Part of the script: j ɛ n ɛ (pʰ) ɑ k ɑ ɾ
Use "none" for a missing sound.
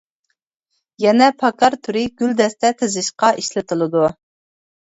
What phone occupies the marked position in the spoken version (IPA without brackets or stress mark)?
pʰ